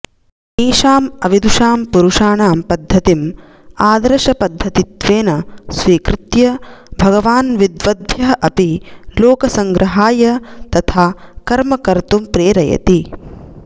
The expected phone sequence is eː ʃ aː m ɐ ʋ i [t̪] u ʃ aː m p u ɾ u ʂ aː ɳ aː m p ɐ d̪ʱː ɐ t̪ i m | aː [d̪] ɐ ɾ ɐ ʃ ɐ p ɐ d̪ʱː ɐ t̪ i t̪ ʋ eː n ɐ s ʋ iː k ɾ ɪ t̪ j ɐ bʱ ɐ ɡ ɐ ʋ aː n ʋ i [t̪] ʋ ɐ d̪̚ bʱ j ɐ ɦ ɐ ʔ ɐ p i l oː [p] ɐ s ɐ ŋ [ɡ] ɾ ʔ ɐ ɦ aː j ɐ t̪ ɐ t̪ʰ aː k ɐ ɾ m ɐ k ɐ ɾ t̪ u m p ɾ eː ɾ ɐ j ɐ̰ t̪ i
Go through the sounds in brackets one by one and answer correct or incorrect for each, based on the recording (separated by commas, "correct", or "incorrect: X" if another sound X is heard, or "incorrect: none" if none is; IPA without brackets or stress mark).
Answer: incorrect: d̪, correct, incorrect: d̪, incorrect: k, correct